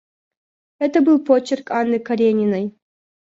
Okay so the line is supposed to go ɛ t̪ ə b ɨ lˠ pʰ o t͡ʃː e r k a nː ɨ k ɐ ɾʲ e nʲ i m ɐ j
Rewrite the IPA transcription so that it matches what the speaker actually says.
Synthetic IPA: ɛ t̪ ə b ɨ lˠ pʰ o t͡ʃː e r k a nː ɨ k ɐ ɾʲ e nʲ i n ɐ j